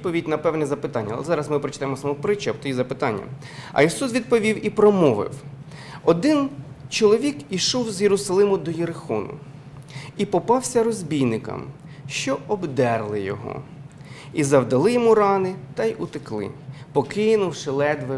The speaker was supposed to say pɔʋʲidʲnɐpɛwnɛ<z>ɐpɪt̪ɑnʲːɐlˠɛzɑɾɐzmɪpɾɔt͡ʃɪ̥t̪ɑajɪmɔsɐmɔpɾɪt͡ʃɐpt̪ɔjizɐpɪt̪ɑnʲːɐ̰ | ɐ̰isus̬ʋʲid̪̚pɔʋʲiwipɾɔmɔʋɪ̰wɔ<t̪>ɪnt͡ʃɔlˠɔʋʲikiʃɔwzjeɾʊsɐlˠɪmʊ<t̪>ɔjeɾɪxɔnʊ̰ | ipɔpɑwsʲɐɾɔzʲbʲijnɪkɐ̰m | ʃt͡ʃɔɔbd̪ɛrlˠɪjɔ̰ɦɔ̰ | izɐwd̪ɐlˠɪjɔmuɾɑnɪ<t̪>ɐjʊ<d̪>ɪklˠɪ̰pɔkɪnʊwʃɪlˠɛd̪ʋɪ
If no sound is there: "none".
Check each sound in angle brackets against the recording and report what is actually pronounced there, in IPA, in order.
z, d̪, d̪, t̪, t̪

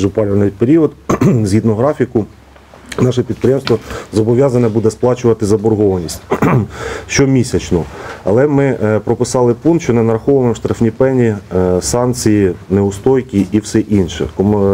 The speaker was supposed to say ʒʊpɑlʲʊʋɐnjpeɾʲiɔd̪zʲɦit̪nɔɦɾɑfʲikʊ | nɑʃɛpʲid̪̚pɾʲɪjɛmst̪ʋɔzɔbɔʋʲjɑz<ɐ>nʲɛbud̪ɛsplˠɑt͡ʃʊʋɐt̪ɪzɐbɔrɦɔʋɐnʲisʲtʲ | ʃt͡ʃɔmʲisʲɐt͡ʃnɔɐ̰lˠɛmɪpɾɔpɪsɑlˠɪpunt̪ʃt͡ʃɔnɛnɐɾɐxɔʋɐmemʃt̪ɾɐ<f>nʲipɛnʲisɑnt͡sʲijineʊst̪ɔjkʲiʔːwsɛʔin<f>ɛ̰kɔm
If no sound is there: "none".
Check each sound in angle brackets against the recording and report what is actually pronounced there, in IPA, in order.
ɐ, f, ʃ

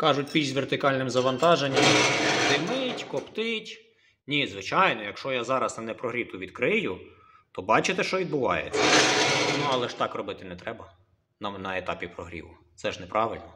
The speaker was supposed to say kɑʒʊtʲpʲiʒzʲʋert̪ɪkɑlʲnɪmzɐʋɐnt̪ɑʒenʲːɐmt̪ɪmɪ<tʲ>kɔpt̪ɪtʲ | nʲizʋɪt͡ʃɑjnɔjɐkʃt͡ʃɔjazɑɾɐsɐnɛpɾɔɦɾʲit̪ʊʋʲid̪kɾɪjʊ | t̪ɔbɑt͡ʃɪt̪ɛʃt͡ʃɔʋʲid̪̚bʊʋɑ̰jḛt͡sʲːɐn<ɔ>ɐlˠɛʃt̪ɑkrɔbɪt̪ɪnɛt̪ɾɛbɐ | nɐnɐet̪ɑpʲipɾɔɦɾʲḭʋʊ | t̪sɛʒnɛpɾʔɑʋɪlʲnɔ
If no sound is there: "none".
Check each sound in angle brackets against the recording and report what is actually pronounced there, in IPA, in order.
tʲ, u

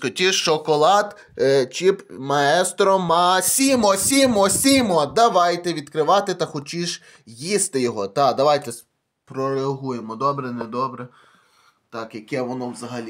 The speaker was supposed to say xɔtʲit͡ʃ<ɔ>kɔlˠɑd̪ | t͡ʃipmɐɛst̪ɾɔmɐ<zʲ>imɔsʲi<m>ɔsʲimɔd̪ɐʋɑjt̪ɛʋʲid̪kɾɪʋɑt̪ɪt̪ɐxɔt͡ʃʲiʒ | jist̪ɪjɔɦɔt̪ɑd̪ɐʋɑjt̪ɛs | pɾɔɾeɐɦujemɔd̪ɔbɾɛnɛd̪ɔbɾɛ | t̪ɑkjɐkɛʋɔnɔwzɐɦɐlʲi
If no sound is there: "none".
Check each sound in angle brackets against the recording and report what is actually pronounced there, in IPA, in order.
ɔ, sʲ, m

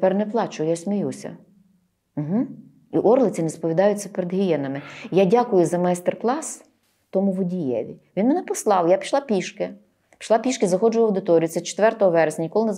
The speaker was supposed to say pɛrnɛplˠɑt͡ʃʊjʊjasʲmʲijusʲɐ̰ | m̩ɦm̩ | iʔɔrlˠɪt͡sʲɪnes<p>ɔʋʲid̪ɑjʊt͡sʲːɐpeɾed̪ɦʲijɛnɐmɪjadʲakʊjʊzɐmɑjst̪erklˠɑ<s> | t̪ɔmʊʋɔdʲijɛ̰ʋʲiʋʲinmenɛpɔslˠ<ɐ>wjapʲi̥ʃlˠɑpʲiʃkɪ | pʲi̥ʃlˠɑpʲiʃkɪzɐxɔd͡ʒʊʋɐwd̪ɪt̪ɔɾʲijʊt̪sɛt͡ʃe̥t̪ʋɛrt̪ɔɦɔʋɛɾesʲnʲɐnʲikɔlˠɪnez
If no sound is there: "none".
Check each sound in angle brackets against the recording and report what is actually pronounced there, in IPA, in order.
p, s, ɑ

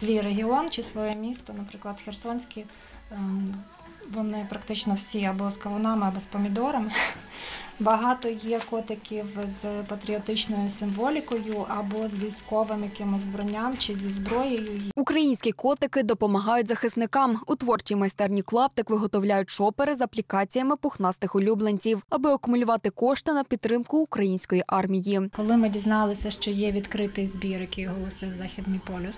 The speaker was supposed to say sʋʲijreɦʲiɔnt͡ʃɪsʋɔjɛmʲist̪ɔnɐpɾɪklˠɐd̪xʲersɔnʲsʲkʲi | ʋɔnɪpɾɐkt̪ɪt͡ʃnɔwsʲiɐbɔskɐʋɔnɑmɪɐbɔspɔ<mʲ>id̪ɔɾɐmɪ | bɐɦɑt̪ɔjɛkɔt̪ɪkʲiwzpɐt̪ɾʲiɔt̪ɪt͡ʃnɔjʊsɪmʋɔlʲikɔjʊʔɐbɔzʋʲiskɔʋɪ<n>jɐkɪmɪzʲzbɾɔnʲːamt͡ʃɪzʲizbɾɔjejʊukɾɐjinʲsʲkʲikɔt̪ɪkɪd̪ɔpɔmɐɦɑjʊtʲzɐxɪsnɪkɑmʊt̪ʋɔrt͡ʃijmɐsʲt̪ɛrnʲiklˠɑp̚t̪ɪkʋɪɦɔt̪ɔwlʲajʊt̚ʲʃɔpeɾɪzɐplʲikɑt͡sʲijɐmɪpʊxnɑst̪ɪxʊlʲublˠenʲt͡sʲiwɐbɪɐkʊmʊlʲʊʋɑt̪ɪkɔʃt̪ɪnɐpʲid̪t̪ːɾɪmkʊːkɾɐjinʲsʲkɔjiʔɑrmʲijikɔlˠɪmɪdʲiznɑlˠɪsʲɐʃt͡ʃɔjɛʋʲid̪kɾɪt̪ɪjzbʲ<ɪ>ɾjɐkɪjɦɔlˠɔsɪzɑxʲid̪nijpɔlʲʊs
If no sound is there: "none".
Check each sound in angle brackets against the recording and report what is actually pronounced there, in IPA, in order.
mʲ, m, i

